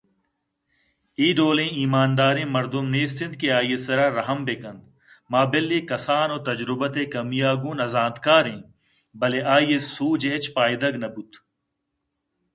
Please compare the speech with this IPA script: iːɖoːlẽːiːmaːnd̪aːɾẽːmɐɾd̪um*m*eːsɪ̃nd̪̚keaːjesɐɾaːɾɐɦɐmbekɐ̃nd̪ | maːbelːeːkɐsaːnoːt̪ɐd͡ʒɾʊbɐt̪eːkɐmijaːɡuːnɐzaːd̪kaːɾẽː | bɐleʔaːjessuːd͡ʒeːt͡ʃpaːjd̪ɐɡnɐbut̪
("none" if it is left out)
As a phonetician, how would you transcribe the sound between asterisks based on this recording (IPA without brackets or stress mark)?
n